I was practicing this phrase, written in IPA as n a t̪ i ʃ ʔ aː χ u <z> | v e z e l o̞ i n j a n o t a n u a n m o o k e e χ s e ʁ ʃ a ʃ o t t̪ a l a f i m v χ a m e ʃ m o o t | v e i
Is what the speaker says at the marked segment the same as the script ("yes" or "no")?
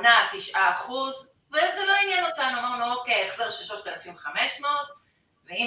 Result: yes